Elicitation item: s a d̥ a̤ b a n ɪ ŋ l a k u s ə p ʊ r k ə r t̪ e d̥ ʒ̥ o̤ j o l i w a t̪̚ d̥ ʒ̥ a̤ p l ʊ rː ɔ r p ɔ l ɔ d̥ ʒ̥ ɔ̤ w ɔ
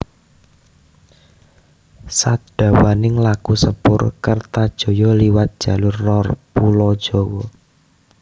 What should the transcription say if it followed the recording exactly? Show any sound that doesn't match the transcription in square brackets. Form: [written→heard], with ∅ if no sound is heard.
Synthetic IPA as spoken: s a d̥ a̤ [b→w] a n ɪ ŋ l a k u s ə p ʊ r k ə r t̪ [e→a] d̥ ʒ̥ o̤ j [o→ɔ] l i w a t̪̚ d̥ ʒ̥ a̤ [p→∅] l ʊ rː ɔ r p [ɔ→u] l ɔ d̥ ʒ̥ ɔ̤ w ɔ

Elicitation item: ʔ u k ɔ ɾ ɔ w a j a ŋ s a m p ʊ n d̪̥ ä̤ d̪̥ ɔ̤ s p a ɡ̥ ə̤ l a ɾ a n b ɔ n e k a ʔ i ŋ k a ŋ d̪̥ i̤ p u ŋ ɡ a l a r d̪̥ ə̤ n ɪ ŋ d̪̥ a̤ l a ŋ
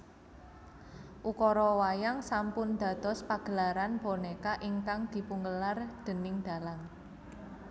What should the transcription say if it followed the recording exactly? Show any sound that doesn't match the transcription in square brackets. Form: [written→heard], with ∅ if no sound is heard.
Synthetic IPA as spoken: ʔ u k ɔ ɾ ɔ w a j a ŋ s a m p ʊ n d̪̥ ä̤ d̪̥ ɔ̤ s p a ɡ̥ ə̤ l a ɾ a n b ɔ n e k a ʔ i ŋ k a ŋ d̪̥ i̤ p u ŋ ɡ [a→ə] l a r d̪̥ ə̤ n ɪ ŋ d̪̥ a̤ l a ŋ

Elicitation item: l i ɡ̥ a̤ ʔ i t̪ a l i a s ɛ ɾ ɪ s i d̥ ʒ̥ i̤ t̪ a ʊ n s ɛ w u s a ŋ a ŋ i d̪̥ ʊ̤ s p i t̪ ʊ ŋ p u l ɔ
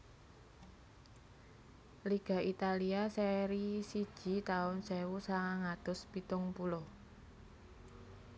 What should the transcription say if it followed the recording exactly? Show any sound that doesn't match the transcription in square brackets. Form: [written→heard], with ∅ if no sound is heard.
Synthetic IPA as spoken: l i ɡ̥ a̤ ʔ i t̪ a l i a s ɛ ɾ [ɪ→i] s i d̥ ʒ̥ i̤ t̪ a ʊ n s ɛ w u s a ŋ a ŋ [i→a] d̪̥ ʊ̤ s p i t̪ ʊ ŋ p u l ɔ

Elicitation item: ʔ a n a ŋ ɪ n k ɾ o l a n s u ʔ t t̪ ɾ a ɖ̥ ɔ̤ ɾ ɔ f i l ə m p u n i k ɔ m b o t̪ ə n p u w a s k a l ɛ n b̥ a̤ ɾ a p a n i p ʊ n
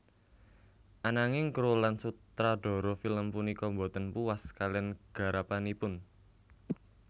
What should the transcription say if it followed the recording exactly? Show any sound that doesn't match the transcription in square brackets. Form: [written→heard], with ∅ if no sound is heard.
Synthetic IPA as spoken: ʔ a n a ŋ ɪ [n→ŋ] k ɾ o l a n s u [ʔ→∅] t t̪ ɾ a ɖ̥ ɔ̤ ɾ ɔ f i l ə m p u n i k ɔ m b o t̪ ə n p u w a s k a l ɛ n [b̥→ɡ̥] a̤ ɾ a p a n i p ʊ n

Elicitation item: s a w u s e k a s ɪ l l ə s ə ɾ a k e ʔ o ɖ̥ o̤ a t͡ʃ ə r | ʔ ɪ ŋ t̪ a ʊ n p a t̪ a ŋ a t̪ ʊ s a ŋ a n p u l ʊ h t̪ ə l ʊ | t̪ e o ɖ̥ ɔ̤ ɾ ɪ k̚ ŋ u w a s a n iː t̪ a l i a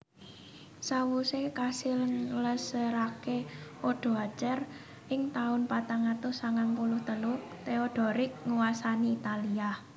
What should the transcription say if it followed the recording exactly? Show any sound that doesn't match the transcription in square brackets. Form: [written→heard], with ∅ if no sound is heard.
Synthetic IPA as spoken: s a w u s e k a s ɪ l l ə s ə ɾ a k e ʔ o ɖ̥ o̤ a t͡ʃ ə r | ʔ ɪ ŋ t̪ a ʊ n p a t̪ a ŋ a t̪ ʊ s a ŋ a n p u l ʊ h t̪ ə l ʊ | t̪ e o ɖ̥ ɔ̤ ɾ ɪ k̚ ŋ u w a s a n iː t̪ a l i a

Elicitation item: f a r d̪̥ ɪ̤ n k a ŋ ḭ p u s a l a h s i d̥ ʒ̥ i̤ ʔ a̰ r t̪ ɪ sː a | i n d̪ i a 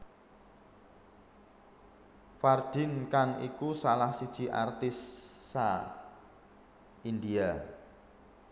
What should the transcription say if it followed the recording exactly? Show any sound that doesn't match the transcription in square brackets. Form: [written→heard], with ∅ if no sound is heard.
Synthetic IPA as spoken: f a r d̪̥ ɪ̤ n k a ŋ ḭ [p→k] u s a l a h s i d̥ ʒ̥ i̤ ʔ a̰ r t̪ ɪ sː a | i n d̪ i a

